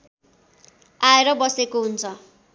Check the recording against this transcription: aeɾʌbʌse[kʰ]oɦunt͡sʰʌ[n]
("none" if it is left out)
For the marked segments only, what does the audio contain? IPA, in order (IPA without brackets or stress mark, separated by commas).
k, none